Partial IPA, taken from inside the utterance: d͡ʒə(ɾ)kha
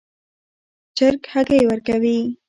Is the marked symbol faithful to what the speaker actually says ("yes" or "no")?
yes